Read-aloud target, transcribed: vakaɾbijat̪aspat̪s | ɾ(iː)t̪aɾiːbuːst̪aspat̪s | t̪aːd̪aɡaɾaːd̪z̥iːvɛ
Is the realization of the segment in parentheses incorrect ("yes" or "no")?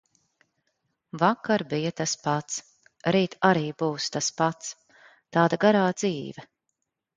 no